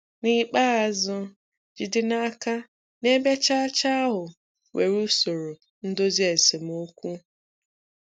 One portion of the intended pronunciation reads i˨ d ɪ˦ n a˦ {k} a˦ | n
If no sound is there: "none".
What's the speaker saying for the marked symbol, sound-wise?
k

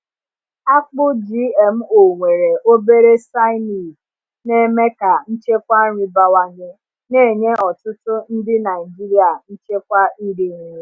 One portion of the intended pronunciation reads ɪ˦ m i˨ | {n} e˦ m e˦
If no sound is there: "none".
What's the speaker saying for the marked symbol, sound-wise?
n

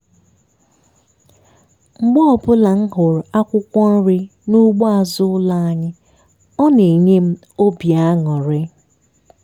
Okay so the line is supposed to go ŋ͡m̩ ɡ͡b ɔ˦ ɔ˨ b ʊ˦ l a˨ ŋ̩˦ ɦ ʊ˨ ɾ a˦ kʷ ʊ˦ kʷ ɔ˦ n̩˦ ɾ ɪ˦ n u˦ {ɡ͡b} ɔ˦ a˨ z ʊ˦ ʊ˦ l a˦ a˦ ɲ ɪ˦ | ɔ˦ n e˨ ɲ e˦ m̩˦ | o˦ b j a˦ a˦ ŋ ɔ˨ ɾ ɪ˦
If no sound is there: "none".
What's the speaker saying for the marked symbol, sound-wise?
ɡ͡b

